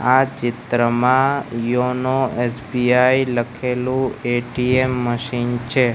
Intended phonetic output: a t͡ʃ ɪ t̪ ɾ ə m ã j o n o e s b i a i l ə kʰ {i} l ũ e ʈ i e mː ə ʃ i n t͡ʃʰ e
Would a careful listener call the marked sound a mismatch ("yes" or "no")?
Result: yes